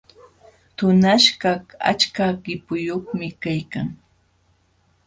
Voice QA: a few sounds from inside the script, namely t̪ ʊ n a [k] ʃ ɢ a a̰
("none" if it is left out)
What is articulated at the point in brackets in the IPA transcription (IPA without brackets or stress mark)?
none